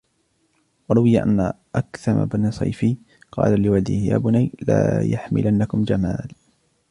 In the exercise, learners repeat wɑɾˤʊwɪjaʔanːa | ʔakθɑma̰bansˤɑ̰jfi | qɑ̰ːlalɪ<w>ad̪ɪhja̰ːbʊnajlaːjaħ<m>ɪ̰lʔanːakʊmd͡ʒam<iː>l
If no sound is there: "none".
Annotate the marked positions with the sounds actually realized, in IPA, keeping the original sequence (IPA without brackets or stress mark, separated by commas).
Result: w, m, aː